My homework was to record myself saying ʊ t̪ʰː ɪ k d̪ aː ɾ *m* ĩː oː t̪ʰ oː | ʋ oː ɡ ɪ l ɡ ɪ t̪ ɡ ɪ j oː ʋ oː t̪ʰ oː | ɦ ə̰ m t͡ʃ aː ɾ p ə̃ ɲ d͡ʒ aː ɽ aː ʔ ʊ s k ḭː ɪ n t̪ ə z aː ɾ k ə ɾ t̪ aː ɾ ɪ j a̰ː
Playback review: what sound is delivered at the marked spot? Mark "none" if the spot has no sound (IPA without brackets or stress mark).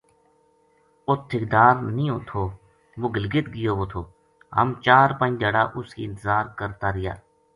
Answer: n